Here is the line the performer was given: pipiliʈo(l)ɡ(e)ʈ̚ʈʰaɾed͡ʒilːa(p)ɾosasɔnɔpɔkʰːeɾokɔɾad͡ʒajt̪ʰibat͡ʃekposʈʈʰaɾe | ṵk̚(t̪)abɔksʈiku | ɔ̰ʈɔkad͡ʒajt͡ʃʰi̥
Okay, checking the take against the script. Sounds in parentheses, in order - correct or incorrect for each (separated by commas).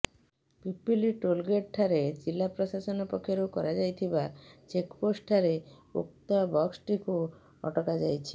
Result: correct, correct, correct, correct